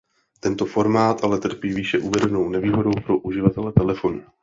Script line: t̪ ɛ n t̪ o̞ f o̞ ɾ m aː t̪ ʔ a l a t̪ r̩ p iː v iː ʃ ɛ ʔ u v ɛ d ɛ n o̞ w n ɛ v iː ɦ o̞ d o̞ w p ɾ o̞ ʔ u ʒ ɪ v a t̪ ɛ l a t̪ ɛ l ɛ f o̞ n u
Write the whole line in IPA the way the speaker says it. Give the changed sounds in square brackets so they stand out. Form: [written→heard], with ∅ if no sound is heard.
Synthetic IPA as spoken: t̪ ɛ n t̪ o̞ f o̞ ɾ m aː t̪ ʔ a l [a→ɛ] t̪ r̩ p iː v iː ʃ ɛ ʔ u v ɛ d ɛ n o̞ w n ɛ v iː ɦ o̞ d o̞ w p ɾ o̞ ʔ u ʒ ɪ v a t̪ ɛ l [a→ɛ] t̪ ɛ l ɛ f o̞ n u